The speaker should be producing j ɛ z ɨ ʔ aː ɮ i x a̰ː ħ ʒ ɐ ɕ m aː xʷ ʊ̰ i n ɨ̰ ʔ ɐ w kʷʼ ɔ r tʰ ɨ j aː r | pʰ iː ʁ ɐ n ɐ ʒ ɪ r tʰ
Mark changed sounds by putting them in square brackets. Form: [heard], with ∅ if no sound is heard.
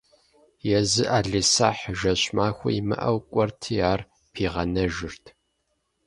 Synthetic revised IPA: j ɛ z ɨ ʔ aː ɮ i [s] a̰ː ħ ʒ ɐ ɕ m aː xʷ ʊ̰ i [m] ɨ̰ ʔ ɐ w kʷʼ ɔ r tʰ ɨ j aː r | pʰ iː ʁ ɐ n ɐ ʒ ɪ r tʰ

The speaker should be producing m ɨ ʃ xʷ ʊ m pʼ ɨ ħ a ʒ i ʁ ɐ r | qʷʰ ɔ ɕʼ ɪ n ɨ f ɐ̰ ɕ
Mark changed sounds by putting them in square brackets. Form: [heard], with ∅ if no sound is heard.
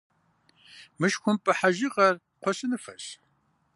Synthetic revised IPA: m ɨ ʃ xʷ ʊ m pʼ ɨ ħ a ʒ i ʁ ɐ r | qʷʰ ɔ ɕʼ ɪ n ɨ f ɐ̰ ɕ

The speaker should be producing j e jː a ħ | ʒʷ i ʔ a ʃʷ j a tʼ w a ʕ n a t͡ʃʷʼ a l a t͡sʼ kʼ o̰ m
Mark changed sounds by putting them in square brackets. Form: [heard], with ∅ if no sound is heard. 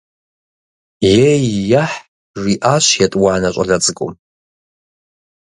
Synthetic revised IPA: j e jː a ħ | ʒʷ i ʔ a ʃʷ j a tʼ w a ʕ n a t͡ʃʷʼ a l a t͡sʼ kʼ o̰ m

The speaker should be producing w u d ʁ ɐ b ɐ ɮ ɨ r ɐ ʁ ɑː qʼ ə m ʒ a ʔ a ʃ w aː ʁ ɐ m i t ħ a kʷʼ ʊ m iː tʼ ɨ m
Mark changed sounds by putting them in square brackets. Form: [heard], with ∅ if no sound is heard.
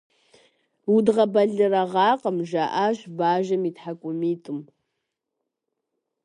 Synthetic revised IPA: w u d ʁ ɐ b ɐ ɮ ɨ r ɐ ʁ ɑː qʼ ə m ʒ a ʔ a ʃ [b] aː [ʒ] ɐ m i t ħ a kʷʼ ʊ m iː tʼ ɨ m

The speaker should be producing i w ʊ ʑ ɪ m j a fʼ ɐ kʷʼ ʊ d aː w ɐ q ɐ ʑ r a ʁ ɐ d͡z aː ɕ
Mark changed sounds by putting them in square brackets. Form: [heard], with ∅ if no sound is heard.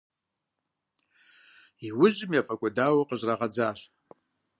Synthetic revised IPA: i w ʊ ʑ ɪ m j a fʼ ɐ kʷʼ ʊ d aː w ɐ q [ə] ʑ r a ʁ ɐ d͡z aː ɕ

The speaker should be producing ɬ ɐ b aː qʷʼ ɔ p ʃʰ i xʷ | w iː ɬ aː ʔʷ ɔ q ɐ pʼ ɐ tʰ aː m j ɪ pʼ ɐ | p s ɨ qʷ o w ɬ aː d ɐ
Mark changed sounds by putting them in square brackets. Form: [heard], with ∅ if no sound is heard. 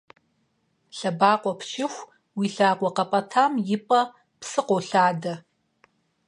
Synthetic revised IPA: ɬ ɐ b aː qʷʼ ɔ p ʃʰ [ɪ] xʷ | w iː ɬ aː [qʷ] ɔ q ɐ pʼ ɐ tʰ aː m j ɪ pʼ ɐ | p s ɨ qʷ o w ɬ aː d ɐ

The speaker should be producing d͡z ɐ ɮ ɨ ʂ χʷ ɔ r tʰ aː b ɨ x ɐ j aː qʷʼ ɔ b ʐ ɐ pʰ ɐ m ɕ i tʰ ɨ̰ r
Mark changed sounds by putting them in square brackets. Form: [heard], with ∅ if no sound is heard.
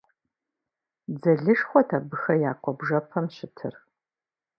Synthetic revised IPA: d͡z ɐ ɮ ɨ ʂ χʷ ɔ [∅] tʰ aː b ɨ x ɐ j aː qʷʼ ɔ b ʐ ɐ pʰ ɐ m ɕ [ɪ] tʰ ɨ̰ r

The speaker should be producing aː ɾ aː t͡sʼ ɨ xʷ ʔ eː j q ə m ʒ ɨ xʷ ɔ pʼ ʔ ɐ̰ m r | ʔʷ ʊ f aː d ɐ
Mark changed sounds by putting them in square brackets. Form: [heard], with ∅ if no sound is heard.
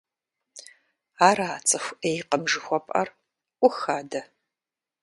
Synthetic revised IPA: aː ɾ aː t͡sʼ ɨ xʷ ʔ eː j q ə m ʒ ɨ xʷ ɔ pʼ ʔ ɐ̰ [∅] r | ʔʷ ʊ [x] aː d ɐ

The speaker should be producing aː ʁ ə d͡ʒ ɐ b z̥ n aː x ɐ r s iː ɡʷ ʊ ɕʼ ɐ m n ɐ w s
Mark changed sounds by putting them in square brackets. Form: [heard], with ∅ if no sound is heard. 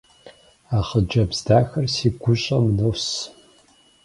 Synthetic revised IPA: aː [χ] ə d͡ʒ ɐ b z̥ [d] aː x ɐ r s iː ɡʷ ʊ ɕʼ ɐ m n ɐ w s

